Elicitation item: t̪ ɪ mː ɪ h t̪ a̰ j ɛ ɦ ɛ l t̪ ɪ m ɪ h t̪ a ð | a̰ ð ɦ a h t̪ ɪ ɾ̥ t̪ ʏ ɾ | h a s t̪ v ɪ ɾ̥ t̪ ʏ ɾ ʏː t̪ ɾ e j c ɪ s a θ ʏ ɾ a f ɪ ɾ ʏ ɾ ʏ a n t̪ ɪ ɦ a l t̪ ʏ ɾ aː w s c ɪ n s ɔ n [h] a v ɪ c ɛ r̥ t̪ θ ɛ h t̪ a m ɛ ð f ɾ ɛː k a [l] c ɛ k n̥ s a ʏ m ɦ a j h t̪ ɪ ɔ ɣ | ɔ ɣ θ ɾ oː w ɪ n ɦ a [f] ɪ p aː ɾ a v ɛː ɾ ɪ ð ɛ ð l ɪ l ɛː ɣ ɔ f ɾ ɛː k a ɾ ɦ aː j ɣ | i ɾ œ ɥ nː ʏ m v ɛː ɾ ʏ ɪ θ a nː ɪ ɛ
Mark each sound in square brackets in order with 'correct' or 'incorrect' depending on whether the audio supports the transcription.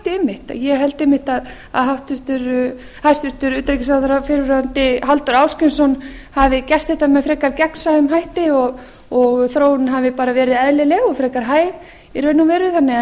correct, incorrect: ɾ, incorrect: v

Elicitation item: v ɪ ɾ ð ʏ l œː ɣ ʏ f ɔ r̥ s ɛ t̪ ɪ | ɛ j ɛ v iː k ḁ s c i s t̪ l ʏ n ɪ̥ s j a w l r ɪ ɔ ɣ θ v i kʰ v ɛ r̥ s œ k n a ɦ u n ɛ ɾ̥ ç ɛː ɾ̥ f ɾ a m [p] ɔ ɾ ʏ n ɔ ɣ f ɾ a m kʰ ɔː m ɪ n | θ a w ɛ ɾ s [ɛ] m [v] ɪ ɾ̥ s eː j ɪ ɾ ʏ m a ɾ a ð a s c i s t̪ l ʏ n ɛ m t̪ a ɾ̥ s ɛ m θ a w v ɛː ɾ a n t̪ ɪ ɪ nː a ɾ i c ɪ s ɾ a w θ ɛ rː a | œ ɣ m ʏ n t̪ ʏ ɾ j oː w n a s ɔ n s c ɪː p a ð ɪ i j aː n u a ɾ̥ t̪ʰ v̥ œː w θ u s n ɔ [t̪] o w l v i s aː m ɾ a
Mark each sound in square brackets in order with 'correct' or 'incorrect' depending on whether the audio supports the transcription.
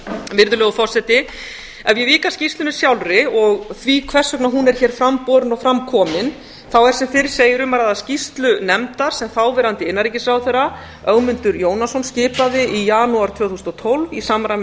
correct, correct, incorrect: f, incorrect: t̪ʰ

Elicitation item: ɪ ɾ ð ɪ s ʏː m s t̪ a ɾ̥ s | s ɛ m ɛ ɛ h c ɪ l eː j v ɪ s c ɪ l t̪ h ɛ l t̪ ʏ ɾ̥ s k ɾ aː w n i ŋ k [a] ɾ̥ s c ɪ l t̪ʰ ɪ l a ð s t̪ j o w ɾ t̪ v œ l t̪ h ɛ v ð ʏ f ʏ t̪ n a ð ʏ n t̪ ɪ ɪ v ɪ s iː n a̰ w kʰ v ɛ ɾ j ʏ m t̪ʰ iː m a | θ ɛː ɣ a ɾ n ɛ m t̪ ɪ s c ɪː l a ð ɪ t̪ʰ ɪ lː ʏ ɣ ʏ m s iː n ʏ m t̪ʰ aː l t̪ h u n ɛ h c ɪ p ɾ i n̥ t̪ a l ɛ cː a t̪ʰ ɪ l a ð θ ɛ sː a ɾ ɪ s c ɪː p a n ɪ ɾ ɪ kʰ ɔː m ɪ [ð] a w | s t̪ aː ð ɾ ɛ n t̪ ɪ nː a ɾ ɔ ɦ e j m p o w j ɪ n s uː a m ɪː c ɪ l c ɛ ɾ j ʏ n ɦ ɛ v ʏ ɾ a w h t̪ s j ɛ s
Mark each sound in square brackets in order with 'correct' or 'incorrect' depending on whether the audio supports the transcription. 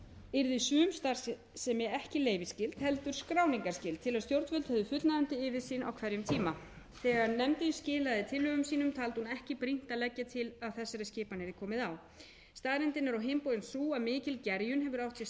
correct, correct

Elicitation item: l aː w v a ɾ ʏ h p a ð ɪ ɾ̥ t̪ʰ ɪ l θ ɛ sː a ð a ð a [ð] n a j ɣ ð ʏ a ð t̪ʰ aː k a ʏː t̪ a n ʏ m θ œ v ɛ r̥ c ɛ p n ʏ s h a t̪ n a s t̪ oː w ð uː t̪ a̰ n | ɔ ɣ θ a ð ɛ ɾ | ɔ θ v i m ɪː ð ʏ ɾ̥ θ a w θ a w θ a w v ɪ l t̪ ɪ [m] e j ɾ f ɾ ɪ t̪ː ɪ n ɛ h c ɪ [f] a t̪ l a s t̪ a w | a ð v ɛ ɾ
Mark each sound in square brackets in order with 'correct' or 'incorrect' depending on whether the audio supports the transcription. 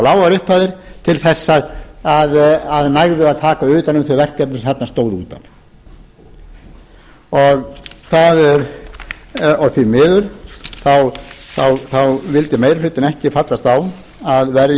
correct, correct, correct

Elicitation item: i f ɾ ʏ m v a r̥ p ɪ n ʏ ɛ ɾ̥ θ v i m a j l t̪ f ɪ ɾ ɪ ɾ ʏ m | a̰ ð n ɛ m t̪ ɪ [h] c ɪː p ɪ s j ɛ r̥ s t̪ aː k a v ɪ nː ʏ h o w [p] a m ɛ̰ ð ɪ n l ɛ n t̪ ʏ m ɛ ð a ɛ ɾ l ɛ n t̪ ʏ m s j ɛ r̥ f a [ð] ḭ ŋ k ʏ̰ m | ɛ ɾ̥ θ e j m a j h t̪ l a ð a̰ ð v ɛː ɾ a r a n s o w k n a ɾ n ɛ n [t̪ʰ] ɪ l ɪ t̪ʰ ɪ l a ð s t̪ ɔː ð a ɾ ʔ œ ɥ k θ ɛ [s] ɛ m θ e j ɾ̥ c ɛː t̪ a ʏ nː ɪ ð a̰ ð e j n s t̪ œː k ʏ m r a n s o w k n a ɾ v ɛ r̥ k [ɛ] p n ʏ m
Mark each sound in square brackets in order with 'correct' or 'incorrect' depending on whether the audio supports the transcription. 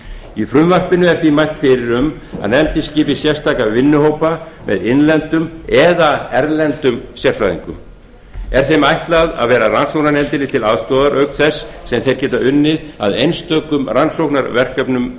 incorrect: s, correct, correct, incorrect: t̪, incorrect: sː, incorrect: œ

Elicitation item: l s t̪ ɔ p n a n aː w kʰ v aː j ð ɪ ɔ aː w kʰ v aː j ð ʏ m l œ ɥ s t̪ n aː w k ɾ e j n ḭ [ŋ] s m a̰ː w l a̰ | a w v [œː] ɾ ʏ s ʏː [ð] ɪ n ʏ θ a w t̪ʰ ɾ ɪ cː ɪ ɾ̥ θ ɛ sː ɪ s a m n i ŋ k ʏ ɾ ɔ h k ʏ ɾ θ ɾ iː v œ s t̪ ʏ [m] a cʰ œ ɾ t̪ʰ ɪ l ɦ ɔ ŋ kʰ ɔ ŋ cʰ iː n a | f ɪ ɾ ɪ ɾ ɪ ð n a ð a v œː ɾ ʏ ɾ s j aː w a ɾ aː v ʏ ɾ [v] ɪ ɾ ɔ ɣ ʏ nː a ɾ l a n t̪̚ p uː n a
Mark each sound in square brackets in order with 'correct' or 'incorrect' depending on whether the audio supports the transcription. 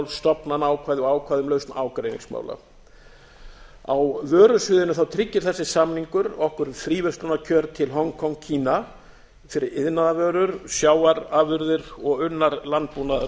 correct, correct, correct, incorrect: n, incorrect: ð

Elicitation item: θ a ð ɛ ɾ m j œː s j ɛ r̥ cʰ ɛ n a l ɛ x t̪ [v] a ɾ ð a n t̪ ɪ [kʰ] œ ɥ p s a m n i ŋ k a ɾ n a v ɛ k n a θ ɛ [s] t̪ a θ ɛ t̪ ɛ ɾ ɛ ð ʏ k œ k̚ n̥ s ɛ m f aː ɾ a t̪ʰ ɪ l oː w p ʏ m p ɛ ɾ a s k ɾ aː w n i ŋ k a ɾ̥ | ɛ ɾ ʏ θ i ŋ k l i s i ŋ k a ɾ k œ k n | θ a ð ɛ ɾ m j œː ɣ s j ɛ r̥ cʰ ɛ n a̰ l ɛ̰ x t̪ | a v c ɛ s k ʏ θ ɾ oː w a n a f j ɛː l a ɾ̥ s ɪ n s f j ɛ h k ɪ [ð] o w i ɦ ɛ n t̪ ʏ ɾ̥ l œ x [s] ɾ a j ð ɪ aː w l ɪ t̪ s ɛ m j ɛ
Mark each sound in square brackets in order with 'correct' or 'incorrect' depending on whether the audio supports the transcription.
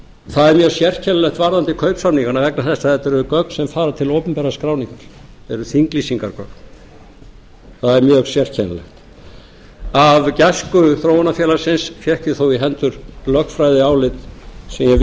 correct, correct, correct, incorrect: θ, incorrect: f

